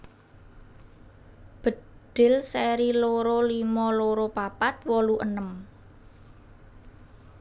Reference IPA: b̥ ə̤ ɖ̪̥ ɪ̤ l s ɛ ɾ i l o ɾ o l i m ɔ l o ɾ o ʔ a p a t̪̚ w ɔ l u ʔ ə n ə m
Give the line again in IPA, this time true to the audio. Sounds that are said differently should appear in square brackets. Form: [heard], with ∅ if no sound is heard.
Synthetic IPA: b̥ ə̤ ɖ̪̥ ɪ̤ l s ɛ ɾ i l o ɾ o l i m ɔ l o ɾ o [p] a p a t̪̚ w ɔ l u ʔ ə n ə m